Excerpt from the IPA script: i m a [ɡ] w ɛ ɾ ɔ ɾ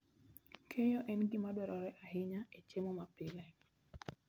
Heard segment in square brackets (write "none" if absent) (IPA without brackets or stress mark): d